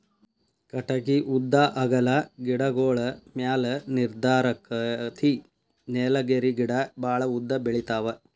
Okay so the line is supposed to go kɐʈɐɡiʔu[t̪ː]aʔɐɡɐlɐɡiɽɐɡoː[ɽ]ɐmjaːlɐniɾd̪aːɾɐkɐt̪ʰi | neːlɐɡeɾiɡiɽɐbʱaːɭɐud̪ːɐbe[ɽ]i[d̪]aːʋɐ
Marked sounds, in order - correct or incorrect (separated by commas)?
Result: incorrect, incorrect, incorrect, incorrect